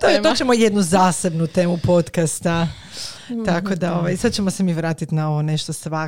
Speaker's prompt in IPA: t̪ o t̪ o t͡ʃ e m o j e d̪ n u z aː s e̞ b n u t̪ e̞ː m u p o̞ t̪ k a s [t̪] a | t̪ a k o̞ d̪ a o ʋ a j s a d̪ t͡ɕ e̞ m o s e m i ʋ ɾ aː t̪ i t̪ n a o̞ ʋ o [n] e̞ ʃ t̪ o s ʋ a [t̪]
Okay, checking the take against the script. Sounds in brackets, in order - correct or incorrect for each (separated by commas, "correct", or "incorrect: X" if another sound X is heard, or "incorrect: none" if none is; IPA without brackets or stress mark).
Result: correct, correct, incorrect: none